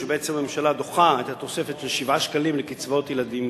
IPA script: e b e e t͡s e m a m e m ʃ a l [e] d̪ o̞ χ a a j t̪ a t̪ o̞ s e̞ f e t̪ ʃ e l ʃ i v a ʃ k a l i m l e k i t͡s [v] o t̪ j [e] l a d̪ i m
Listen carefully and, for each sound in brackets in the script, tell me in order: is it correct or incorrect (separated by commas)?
incorrect, correct, correct